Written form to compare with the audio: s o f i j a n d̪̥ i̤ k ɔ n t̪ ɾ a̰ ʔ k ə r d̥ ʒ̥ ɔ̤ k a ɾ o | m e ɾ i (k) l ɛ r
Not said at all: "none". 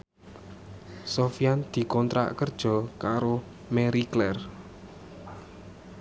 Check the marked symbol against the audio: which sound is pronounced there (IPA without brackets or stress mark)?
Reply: k